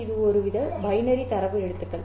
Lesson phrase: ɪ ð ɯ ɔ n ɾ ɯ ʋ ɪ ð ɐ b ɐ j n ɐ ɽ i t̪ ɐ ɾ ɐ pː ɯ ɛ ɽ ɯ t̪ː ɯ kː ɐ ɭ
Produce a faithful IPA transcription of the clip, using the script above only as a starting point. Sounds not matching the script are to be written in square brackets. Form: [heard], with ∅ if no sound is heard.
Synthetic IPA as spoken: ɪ ð ɯ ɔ [∅] ɾ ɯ ʋ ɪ ð ɐ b ɐ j n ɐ [ɾ] i t̪ ɐ ɾ ɐ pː ɯ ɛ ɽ ɯ t̪ː ɯ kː ɐ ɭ